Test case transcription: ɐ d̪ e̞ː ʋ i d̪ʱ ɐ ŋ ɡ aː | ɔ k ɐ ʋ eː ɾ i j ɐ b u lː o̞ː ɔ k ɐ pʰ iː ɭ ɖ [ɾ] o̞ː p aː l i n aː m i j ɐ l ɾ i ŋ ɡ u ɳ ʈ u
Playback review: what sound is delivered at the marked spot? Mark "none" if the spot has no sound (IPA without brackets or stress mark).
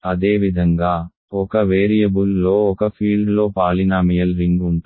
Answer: l